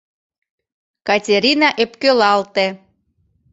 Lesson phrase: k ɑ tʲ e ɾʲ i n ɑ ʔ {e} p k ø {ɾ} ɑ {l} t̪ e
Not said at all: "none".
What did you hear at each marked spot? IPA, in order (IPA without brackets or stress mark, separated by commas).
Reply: e, l, l